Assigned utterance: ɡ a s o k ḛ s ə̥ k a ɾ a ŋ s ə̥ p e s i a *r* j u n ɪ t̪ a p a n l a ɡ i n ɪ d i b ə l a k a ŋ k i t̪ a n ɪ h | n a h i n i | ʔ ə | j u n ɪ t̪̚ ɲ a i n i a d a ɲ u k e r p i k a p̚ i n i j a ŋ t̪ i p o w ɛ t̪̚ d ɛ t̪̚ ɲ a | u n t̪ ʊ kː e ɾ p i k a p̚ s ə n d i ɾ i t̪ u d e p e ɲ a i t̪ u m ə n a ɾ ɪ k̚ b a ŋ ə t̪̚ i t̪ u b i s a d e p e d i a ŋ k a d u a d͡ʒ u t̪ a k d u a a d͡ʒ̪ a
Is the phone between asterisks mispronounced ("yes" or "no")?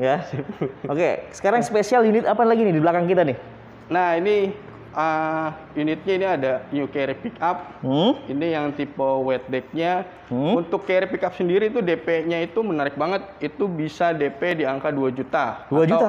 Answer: yes